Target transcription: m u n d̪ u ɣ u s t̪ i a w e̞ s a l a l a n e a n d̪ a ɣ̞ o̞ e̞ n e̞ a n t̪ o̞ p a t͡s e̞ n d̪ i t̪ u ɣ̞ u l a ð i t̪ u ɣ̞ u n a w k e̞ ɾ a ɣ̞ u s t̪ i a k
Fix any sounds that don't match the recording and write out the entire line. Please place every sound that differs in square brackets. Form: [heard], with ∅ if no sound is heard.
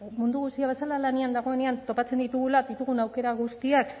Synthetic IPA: m u n d̪ u ɣ u s t̪ i a [β] e̞ s a l a l a n e a n d̪ a ɣ̞ o̞ e̞ n e̞ a n t̪ o̞ p a t͡s e̞ n d̪ i t̪ u ɣ̞ u l a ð i t̪ u ɣ̞ u n a w k e̞ ɾ a ɣ̞ u s t̪ i a k